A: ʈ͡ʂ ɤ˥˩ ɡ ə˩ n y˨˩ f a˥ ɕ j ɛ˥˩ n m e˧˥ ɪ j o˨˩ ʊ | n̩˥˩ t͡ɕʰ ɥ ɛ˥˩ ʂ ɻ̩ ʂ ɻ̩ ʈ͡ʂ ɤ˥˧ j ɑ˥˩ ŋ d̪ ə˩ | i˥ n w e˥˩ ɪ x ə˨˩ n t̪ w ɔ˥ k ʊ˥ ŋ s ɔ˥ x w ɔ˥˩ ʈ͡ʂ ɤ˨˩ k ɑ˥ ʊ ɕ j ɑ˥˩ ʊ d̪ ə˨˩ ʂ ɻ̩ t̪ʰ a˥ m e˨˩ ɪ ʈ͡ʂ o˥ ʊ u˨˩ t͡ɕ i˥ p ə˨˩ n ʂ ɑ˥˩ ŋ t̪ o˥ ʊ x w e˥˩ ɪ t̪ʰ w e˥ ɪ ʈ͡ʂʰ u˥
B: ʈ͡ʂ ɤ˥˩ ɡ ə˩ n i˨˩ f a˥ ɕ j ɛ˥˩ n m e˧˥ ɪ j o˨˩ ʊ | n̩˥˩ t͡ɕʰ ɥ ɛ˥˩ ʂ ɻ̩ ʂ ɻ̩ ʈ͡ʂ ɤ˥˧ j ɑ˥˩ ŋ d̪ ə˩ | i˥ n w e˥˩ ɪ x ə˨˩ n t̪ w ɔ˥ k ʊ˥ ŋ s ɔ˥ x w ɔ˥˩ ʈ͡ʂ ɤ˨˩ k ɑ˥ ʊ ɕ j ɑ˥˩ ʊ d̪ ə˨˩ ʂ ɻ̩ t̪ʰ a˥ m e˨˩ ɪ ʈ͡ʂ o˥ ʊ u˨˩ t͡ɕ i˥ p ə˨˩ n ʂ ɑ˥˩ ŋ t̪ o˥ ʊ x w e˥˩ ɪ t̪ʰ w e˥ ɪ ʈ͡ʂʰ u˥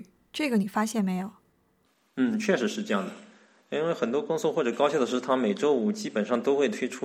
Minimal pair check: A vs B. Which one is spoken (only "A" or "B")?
B